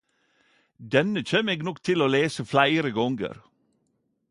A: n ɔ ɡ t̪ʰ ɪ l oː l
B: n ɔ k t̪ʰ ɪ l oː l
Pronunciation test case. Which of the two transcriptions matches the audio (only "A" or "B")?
B